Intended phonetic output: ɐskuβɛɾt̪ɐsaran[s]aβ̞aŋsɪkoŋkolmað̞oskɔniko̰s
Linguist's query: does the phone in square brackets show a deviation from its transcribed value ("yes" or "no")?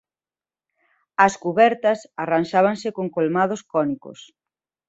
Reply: yes